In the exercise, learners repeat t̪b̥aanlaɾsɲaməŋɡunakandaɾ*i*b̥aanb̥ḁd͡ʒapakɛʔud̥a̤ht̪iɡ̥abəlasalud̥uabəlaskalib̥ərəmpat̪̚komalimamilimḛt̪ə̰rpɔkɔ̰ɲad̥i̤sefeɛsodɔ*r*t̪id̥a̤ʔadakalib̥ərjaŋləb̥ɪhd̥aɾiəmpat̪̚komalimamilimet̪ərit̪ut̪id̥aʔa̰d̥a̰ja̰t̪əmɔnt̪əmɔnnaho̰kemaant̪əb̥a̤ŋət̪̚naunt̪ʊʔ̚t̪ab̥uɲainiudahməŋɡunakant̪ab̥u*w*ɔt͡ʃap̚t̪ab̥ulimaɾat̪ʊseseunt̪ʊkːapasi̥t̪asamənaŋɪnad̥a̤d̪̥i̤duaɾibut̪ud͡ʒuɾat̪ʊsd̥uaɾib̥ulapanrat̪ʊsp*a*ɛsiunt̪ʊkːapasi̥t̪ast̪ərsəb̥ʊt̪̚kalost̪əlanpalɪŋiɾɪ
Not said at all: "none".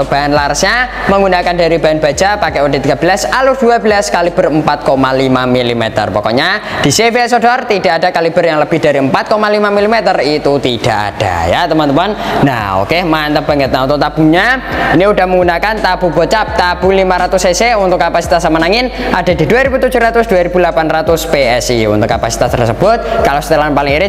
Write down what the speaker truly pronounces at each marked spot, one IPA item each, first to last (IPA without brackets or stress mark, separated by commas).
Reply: i, r, b, e